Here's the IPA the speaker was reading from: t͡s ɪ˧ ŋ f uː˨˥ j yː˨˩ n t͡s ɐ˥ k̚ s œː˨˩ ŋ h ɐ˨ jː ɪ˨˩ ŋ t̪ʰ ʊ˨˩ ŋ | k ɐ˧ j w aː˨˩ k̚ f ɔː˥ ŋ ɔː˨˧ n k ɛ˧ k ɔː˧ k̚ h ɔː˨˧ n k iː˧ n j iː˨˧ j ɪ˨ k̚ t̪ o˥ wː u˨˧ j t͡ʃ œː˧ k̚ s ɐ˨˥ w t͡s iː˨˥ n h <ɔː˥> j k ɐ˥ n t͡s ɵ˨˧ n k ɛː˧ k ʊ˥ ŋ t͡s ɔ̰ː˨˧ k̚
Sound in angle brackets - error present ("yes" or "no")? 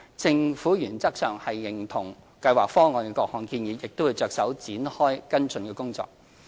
no